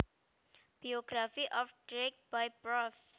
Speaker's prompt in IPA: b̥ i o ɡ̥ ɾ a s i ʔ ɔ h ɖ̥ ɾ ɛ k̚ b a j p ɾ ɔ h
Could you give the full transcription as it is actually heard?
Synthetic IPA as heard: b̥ i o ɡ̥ ɾ a f i ʔ ɔ f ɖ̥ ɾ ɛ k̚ b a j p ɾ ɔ f